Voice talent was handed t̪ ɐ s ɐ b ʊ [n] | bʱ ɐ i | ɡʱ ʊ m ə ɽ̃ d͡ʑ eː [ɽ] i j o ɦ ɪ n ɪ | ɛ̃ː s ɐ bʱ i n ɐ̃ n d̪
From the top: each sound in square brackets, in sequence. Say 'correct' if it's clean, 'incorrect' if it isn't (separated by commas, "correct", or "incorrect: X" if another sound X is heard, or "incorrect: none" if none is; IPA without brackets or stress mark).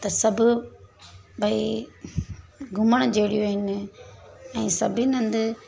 incorrect: none, correct